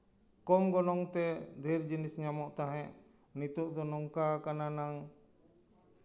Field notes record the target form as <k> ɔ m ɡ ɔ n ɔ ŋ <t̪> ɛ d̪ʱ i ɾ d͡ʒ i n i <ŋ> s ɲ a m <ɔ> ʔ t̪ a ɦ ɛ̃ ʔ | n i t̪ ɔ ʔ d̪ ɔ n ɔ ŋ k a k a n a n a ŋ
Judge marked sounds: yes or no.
yes, yes, no, yes

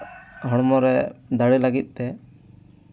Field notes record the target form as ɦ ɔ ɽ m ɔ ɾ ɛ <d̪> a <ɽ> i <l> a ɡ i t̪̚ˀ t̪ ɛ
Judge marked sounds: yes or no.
yes, yes, yes

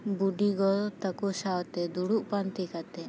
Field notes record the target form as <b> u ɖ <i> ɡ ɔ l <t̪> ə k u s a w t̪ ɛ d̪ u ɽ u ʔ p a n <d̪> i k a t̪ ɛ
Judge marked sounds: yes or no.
yes, yes, yes, no

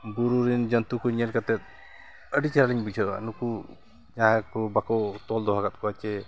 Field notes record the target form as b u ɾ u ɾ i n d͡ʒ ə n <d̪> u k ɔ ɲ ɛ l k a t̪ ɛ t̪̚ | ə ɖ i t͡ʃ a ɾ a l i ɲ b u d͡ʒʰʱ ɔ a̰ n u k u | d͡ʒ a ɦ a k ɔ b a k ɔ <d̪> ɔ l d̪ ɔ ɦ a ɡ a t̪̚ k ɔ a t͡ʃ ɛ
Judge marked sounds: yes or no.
no, no

